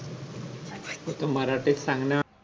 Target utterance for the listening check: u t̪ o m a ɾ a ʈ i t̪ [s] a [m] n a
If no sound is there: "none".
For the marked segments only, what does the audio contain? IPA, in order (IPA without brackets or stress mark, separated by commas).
s, ŋ